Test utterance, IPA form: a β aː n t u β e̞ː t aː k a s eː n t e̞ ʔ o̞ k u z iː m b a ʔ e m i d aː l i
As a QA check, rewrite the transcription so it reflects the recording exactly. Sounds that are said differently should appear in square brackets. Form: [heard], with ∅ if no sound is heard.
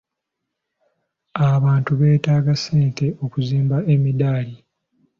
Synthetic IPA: a β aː n t u β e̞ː t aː [ɡ] a s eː n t e̞ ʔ o̞ k u z iː m b a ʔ e m i d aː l i